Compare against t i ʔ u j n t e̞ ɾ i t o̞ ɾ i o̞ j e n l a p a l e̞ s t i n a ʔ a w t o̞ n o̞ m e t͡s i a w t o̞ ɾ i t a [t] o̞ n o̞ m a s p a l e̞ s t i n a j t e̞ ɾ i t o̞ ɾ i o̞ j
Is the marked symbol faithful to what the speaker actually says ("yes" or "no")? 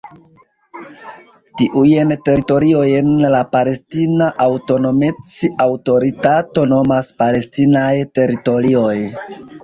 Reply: yes